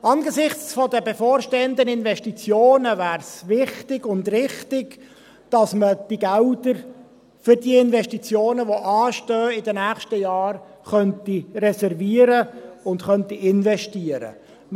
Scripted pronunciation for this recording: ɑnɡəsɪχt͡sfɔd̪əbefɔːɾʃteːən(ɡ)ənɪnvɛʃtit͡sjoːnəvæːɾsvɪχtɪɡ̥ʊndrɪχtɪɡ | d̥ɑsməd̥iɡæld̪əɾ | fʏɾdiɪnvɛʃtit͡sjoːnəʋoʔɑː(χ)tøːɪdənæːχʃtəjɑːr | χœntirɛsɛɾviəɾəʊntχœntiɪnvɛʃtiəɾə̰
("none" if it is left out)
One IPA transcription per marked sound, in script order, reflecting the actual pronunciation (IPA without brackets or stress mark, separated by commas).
d, ʃ